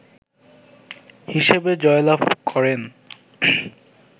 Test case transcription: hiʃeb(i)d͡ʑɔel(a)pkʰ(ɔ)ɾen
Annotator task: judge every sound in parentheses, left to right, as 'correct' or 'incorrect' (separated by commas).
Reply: incorrect, correct, correct